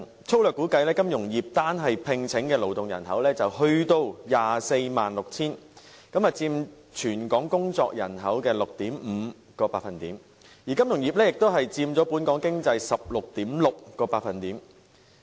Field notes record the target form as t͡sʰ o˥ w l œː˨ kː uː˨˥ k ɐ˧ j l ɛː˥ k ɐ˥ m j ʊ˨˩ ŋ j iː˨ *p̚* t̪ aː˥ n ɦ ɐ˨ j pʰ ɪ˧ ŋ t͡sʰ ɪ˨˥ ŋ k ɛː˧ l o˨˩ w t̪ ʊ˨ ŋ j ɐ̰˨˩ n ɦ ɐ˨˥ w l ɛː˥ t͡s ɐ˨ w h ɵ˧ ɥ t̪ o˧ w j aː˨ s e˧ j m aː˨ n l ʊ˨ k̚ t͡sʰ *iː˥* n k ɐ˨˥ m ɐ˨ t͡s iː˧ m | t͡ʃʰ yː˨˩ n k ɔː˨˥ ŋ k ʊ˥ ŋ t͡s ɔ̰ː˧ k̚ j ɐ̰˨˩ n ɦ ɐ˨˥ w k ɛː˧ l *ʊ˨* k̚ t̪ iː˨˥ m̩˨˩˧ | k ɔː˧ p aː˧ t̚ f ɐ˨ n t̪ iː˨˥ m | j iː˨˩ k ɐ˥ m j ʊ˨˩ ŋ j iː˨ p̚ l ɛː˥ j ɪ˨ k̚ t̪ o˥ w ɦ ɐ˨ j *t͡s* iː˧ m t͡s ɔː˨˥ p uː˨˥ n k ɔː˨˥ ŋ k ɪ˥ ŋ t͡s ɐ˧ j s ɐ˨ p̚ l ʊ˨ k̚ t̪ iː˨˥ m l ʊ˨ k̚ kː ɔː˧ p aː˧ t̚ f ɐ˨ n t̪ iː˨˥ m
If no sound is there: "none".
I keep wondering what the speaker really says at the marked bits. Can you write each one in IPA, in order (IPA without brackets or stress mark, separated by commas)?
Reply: p̚, iː˥, ʊ˨, t͡s